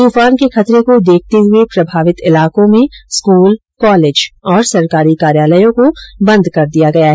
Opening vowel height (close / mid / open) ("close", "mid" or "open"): close